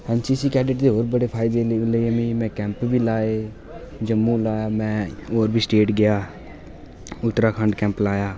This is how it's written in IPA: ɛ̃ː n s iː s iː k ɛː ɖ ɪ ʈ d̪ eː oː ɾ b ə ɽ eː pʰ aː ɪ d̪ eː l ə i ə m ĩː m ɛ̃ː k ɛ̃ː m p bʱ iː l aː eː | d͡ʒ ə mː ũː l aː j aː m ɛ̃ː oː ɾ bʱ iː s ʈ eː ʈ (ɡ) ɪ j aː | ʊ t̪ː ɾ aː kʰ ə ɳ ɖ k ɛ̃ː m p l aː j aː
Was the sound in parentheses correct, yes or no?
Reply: yes